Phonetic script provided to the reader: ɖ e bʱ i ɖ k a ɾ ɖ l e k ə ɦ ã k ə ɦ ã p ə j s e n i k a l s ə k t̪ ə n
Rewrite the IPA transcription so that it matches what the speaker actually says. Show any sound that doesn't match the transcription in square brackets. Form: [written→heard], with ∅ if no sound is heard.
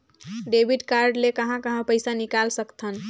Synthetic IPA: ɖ e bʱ i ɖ k a ɾ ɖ l e k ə ɦ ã k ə ɦ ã p ə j s [e→a] n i k a l s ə k [t̪→t̪ʰ] ə n